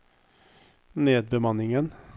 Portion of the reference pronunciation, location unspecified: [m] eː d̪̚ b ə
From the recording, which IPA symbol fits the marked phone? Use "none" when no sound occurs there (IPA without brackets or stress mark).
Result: n